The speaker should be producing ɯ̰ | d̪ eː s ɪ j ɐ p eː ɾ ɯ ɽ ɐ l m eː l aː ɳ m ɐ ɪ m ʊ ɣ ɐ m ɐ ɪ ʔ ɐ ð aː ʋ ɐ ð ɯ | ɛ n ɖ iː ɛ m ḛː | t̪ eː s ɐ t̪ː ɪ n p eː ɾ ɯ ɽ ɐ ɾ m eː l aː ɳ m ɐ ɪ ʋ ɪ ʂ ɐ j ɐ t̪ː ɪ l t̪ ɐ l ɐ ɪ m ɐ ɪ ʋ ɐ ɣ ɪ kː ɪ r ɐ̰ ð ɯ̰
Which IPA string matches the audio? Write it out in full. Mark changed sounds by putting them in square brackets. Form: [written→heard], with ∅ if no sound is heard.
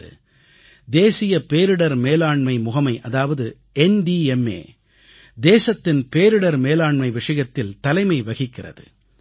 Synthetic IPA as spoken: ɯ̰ | d̪ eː s ɪ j ɐ p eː ɾ ɯ ɽ ɐ [l→ɾ] m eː l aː ɳ m ɐ ɪ m ʊ ɣ ɐ m ɐ ɪ ʔ ɐ ð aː ʋ ɐ ð ɯ | ɛ n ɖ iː ɛ m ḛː | [t̪→d̪] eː s ɐ t̪ː ɪ n p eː ɾ ɯ ɽ ɐ ɾ m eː l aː ɳ m ɐ ɪ ʋ ɪ ʂ ɐ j ɐ t̪ː ɪ l t̪ ɐ l ɐ ɪ m ɐ ɪ ʋ ɐ ɣ ɪ kː ɪ r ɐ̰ ð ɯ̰

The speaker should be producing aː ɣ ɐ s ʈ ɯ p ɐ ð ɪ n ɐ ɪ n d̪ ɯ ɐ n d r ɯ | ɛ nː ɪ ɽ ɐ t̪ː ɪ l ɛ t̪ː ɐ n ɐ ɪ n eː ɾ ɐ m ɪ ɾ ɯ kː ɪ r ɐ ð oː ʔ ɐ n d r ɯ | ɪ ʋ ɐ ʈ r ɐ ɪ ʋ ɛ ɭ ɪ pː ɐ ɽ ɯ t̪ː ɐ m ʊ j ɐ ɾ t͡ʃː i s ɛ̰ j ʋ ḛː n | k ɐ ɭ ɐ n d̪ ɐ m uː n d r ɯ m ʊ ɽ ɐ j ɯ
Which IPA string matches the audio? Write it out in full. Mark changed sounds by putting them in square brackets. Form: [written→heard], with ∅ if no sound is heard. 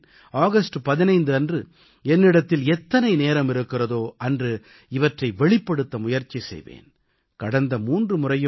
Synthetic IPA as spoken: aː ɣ ɐ s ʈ ɯ p ɐ ð ɪ n ɐ ɪ n d̪ ɯ ɐ n d r ɯ | ɛ nː ɪ ɽ ɐ t̪ː ɪ l ɛ t̪ː ɐ n ɐ ɪ n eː ɾ ɐ m ɪ ɾ ɯ kː ɪ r ɐ ð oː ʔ ɐ n d r ɯ | ɪ ʋ ɐ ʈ r ɐ ɪ ʋ ɛ ɭ ɪ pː ɐ ɽ ɯ t̪ː ɐ m ʊ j ɐ ɾ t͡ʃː i s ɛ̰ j ʋ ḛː n | k ɐ [ɭ→ɽ] ɐ n d̪ ɐ m uː n d r ɯ m ʊ [ɽ→r] ɐ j ɯ

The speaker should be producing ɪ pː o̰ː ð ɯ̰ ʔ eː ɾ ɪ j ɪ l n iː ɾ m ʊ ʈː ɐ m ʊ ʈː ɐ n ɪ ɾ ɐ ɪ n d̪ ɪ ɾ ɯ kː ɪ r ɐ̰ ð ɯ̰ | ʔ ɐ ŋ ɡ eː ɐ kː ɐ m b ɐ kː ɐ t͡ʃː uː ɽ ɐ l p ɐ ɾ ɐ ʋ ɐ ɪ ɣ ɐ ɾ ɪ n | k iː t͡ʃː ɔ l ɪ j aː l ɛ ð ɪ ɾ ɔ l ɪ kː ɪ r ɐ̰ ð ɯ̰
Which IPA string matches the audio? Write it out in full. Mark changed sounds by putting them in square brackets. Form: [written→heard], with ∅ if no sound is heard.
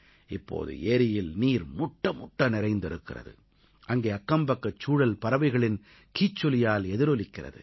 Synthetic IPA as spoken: ɪ pː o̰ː ð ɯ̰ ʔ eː ɾ ɪ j ɪ l n iː ɾ m ʊ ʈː ɐ m ʊ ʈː ɐ n ɪ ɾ ɐ ɪ n d̪ ɪ ɾ ɯ kː ɪ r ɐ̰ ð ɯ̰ | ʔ ɐ ŋ ɡ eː ɐ kː ɐ m b ɐ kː ɐ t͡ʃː uː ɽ ɐ l p ɐ ɾ ɐ ʋ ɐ ɪ ɣ ɐ [ɾ→ɭ] ɪ n | k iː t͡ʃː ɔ l ɪ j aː l ɛ ð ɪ ɾ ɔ l ɪ kː ɪ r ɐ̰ ð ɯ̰

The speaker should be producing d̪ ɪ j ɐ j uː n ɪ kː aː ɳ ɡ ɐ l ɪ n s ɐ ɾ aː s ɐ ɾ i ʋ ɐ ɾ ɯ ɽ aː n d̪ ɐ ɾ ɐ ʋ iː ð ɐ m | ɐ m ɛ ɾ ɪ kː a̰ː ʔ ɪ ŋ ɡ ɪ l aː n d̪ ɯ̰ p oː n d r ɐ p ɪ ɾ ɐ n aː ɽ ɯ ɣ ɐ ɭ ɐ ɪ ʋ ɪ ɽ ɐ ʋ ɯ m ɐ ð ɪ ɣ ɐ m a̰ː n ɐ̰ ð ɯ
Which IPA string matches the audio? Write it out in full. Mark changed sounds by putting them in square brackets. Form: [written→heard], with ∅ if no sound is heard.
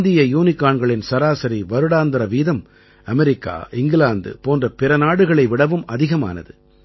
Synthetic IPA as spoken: d̪ ɪ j ɐ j uː n ɪ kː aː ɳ ɡ ɐ [l→ɭ] ɪ n s ɐ ɾ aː s ɐ ɾ i ʋ ɐ ɾ ɯ ɽ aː n d̪ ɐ ɾ ɐ ʋ iː ð ɐ m | ɐ m ɛ ɾ ɪ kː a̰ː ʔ ɪ ŋ ɡ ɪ l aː n d̪ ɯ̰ p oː n d r ɐ p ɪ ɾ ɐ n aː ɽ ɯ ɣ ɐ ɭ ɐ ɪ ʋ ɪ ɽ ɐ ʋ ɯ m ɐ ð ɪ ɣ ɐ m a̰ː n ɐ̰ ð ɯ

